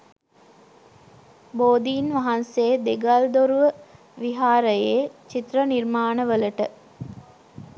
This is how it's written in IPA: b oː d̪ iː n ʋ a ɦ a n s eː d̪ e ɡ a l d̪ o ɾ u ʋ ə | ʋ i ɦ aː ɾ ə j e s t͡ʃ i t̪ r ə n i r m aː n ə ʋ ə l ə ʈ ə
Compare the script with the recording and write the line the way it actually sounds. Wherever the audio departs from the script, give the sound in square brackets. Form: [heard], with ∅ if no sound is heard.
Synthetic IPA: b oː d̪ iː n ʋ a ɦ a n s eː d̪ e ɡ a l d̪ o ɾ u ʋ ə | ʋ i ɦ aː ɾ ə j e [∅] t͡ʃ i t̪ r ə n i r m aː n ə ʋ ə l ə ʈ ə